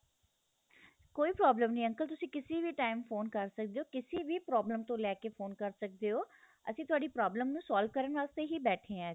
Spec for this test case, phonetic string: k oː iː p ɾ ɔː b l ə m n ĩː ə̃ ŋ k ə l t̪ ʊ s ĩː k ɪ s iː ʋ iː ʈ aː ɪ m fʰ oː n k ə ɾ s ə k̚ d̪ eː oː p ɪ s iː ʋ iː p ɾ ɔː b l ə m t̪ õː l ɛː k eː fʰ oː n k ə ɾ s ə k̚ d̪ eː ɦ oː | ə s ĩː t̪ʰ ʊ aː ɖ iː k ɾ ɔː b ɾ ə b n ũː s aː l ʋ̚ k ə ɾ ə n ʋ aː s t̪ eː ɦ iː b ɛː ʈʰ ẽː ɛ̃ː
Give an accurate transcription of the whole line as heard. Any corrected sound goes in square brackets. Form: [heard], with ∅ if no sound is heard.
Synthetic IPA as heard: k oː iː p ɾ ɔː b l ə m n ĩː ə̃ ŋ k ə l t̪ ʊ s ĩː k ɪ s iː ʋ iː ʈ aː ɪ m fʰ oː n k ə ɾ s ə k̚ d̪ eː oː [k] ɪ s iː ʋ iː p ɾ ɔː b l ə m t̪ õː l ɛː k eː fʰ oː n k ə ɾ s ə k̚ d̪ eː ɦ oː | ə s ĩː [t̪] ʊ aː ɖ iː [p] ɾ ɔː b [l] ə [m] n ũː s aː l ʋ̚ k ə ɾ ə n ʋ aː s t̪ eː ɦ iː b ɛː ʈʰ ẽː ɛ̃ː

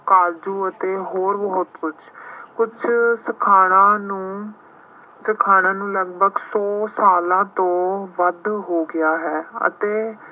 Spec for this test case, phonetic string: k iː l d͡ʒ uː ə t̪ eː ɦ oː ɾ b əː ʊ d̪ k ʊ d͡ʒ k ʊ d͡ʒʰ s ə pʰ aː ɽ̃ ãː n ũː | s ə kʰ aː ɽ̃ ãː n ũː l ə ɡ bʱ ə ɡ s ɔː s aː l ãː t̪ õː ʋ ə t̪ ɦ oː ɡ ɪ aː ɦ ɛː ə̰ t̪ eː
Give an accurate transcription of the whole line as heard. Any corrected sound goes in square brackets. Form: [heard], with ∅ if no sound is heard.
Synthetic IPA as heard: k [aː] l d͡ʒ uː ə t̪ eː ɦ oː ɾ b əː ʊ [t̪] k ʊ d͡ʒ k ʊ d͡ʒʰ s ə [kʰ] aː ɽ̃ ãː n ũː | s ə kʰ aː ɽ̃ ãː n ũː l ə ɡ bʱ ə ɡ s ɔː s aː l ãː t̪ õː ʋ ə [d̪] ɦ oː ɡ ɪ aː ɦ ɛː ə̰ t̪ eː

